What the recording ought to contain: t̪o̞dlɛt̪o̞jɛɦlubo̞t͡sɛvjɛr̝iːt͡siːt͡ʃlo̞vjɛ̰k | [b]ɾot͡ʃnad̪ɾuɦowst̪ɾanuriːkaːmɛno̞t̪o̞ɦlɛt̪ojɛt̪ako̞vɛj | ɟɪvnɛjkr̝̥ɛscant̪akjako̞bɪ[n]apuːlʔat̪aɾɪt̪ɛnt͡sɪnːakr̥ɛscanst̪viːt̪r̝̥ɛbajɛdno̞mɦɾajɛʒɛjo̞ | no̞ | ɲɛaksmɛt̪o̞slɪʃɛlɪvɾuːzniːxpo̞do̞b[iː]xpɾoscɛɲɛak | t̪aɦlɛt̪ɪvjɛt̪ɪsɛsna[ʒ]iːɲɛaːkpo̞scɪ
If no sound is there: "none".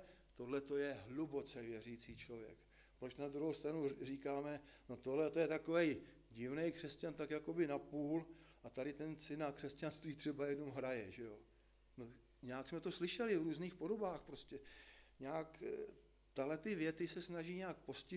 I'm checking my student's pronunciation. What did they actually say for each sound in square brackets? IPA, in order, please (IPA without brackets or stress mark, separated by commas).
p, n, aː, ʒ